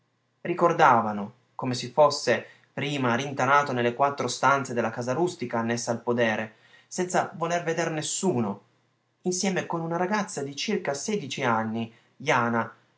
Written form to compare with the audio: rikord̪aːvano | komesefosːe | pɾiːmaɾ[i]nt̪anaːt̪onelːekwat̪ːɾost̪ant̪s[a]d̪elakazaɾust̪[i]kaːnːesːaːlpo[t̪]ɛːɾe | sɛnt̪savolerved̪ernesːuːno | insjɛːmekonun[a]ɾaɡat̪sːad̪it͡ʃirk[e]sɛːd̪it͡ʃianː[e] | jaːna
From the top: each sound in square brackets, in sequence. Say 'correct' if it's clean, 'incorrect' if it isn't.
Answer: correct, incorrect, correct, incorrect, correct, incorrect, incorrect

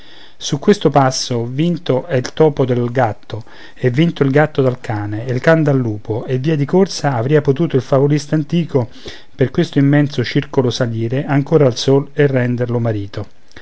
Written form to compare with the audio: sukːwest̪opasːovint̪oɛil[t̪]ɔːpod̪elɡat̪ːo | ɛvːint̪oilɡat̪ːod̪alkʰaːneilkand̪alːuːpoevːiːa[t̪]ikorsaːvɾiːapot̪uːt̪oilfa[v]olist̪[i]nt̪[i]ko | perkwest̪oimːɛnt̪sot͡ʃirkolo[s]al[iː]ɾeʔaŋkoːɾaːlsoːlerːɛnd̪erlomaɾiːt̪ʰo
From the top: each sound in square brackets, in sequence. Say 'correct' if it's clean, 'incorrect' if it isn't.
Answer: correct, incorrect, correct, incorrect, incorrect, correct, correct

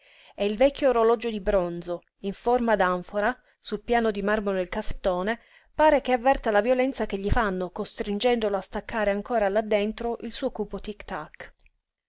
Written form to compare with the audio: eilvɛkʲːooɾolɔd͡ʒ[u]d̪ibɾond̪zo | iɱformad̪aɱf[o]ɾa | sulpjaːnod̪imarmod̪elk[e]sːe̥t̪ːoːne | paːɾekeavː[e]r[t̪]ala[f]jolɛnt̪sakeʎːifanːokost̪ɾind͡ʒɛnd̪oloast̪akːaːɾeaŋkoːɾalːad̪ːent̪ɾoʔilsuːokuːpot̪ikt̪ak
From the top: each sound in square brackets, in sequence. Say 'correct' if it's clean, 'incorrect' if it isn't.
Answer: incorrect, correct, incorrect, incorrect, correct, incorrect

